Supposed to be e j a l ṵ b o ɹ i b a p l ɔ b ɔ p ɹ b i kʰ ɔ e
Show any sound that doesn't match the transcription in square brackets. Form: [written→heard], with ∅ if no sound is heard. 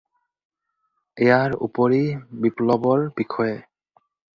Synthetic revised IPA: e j a [l→ɹ] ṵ [b→p] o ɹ i b [a→i] p l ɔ b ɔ [p→∅] ɹ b i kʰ ɔ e